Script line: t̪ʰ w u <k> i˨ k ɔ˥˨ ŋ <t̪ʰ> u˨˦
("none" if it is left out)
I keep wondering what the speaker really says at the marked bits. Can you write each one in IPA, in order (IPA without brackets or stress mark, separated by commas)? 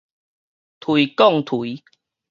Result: none, t̪ʰ